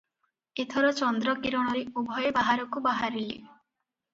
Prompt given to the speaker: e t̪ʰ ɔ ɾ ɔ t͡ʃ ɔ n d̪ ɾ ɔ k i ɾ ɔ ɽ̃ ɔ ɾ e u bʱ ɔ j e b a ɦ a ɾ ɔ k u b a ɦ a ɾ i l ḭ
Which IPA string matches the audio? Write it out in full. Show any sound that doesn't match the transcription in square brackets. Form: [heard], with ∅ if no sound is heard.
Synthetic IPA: e t̪ʰ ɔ ɾ ɔ t͡ʃ ɔ n d̪ ɾ ɔ k i ɾ ɔ ɽ̃ ɔ ɾ e u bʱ ɔ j e b a ɦ a ɾ ɔ k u b a ɦ a ɾ i l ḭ